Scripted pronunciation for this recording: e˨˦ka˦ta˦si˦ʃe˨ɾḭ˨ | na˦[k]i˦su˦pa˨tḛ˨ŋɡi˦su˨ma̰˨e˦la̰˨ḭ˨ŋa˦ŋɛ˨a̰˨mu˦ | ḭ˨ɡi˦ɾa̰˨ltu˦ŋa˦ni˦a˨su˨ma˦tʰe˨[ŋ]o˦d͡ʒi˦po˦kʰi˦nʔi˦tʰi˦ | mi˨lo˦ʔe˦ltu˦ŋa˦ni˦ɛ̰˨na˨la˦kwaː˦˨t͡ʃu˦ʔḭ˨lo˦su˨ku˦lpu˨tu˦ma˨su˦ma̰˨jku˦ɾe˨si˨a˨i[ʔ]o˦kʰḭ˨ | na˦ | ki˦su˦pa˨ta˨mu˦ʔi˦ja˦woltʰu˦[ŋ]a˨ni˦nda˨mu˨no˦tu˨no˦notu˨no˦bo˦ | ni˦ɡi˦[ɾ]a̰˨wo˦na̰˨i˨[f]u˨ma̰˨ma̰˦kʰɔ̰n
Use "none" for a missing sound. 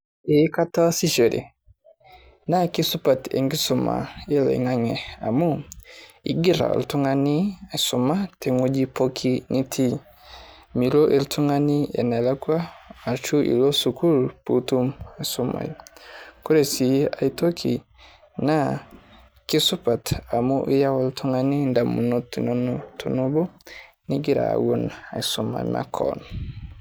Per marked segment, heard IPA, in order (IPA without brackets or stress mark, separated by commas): k, ŋ, t, ŋ, ɾ, s